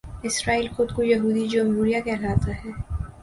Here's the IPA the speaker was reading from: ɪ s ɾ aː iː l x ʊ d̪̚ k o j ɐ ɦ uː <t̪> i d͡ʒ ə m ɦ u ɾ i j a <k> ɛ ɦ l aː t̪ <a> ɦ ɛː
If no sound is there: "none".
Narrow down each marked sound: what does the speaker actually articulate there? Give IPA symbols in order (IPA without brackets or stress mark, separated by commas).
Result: d̪, k, a